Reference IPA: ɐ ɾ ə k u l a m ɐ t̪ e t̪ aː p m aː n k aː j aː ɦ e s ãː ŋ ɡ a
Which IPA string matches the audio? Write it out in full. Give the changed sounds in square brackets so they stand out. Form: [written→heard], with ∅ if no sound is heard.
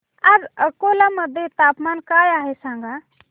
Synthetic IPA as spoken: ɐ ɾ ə k [u→o] l a m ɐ [t̪→d̪] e t̪ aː p m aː n k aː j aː ɦ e s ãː ŋ ɡ a